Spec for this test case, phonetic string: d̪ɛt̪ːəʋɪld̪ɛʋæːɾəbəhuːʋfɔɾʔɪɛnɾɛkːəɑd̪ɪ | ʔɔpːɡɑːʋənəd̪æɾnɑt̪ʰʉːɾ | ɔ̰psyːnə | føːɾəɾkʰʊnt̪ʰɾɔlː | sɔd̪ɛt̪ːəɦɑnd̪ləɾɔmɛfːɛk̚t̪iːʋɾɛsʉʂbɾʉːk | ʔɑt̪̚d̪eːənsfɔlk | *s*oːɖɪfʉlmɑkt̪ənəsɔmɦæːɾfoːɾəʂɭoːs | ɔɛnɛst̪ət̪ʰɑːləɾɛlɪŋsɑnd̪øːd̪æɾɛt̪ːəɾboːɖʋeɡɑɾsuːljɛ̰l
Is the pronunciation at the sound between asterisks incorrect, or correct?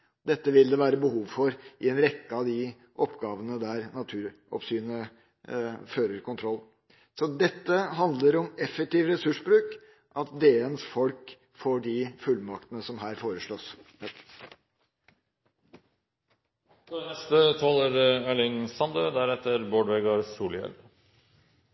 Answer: incorrect